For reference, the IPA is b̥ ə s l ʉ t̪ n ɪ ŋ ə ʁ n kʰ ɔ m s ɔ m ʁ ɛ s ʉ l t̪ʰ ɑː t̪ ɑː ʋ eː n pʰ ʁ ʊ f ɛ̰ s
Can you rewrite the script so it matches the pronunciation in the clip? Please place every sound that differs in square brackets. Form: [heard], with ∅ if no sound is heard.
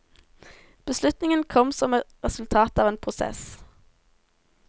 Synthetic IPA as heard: b̥ ə s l ʉ t̪ n ɪ ŋ ə [∅] n kʰ ɔ m s ɔ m ʁ ɛ s ʉ l t̪ʰ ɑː t̪ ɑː ʋ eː n pʰ ʁ ʊ [s] ɛ̰ s